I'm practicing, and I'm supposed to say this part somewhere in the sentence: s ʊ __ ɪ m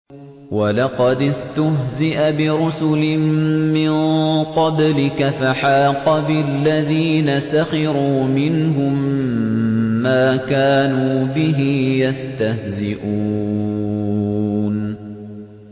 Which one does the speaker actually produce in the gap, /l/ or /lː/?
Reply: l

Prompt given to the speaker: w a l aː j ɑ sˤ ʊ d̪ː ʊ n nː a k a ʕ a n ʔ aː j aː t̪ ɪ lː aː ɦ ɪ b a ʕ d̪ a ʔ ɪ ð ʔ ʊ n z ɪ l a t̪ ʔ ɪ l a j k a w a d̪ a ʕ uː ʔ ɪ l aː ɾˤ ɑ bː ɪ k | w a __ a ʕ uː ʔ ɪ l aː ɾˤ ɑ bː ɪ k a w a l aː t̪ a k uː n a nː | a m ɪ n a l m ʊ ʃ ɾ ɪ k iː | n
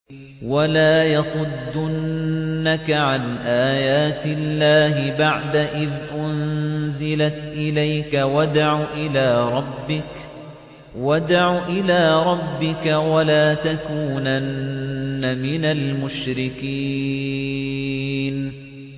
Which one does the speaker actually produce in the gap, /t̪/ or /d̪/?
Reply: d̪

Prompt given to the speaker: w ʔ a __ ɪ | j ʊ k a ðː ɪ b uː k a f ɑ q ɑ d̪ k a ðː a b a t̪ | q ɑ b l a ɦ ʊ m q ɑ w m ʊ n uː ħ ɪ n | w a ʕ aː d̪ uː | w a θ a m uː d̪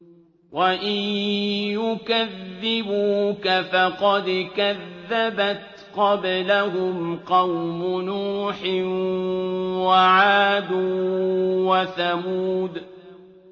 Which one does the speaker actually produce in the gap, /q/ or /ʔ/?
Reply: ʔ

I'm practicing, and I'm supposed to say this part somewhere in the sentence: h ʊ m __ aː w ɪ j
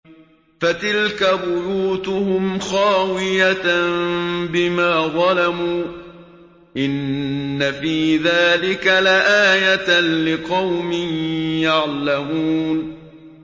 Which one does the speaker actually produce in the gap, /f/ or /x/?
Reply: x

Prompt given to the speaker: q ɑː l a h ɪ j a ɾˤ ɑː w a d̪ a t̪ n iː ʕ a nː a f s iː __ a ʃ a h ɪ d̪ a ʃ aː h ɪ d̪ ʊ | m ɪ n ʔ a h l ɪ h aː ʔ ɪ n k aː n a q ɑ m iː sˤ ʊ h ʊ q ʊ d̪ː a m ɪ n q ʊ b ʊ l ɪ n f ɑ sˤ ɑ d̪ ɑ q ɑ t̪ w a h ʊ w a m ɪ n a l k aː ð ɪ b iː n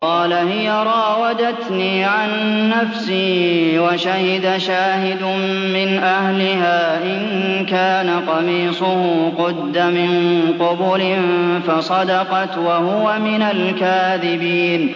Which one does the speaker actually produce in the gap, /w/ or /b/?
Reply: w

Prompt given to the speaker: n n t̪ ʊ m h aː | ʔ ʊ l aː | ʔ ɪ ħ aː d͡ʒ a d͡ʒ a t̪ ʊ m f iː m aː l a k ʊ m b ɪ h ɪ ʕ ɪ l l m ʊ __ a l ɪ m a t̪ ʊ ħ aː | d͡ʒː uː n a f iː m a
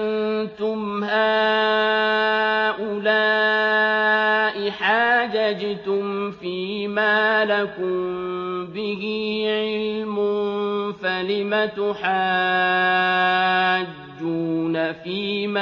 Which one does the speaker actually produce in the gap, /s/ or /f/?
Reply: f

